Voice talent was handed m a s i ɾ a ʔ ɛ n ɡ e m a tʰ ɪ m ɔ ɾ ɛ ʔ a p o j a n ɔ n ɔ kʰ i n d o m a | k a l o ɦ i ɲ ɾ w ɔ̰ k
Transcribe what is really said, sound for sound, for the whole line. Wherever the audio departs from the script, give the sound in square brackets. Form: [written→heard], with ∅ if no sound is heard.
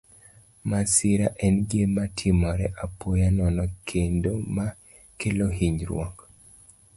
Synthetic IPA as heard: m a s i ɾ a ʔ ɛ n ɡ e m a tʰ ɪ m ɔ ɾ ɛ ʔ a p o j a n ɔ n ɔ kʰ [i→e] n d o m a | k [a→e] l o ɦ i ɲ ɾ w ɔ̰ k